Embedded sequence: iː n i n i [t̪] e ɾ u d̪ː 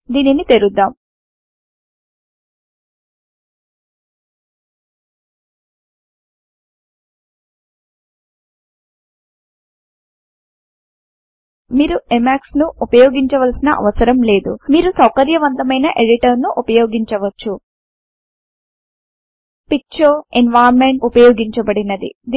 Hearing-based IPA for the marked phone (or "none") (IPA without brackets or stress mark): t̪